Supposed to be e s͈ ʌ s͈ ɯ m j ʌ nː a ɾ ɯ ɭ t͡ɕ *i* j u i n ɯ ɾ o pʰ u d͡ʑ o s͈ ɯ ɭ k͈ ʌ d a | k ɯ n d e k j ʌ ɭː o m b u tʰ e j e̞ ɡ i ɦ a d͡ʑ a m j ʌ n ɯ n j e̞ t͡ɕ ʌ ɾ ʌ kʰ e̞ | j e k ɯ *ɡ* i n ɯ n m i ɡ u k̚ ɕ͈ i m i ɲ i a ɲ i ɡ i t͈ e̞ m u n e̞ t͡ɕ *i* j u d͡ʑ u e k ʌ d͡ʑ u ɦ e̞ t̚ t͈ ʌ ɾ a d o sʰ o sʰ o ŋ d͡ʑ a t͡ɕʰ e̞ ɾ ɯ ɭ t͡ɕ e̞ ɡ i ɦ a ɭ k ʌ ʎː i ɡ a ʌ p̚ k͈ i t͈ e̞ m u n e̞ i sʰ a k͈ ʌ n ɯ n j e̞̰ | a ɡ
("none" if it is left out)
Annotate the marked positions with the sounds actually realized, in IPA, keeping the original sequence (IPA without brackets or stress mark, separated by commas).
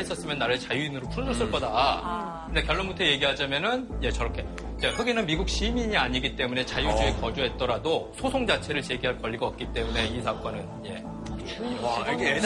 a, ɡ, a